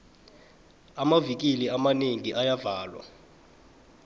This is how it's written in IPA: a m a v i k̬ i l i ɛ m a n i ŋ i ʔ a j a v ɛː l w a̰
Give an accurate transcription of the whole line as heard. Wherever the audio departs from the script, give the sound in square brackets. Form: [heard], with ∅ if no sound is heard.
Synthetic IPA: a m a v i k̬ i l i [a] m a n [e] ŋ i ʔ a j a v [aː] l w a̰